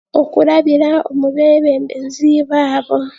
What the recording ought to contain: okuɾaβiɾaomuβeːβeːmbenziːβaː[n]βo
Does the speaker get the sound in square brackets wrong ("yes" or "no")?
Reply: yes